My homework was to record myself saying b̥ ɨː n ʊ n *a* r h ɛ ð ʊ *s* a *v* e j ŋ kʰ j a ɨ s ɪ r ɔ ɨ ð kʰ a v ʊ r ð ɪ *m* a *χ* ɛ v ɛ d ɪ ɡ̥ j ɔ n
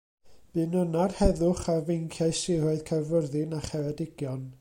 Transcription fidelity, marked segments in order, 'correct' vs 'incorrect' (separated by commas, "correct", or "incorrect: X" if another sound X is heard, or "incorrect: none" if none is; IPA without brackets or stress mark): correct, incorrect: χ, correct, incorrect: n, correct